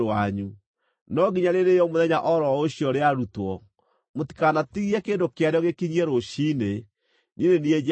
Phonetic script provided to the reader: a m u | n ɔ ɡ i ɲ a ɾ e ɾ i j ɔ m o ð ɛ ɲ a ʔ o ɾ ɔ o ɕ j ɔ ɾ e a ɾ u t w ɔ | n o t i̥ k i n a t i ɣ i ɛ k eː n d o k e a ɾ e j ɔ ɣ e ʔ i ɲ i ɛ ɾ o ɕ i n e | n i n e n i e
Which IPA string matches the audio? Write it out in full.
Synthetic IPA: a ɲ u | n ɔ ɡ i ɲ a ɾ e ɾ e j ɔ m o ð ɛ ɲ a ʔ ɔ ɾ ɔ o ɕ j ɔ ɾ e a ɾ u t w ɔ | m o t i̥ k a n a t i ɣ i ɛ k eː n d o k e a ɾ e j ɔ ɣ e k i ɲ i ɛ ɾ o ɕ i n e | n i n e n i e